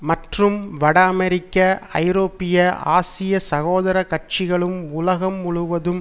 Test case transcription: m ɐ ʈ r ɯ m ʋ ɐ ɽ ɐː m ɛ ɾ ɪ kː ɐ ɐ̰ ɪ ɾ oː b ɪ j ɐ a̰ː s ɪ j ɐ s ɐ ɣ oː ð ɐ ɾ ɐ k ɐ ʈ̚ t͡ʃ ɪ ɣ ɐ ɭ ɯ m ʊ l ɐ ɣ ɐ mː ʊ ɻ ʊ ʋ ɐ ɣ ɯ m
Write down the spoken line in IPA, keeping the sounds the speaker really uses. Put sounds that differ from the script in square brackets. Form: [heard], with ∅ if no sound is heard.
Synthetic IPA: m ɐ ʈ r ɯ m ʋ ɐ ɽ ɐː m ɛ ɾ ɪ kː ɐ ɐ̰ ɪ ɾ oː [p] ɪ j ɐ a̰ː s ɪ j ɐ s ɐ ɣ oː ð ɐ ɾ ɐ k ɐ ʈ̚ t͡ʃ ɪ ɣ ɐ ɭ ɯ m ʊ l ɐ ɣ ɐ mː ʊ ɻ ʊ ʋ ɐ [ð] ɯ m